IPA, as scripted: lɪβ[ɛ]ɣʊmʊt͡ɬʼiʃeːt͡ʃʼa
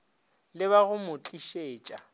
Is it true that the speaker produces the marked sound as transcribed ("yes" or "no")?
no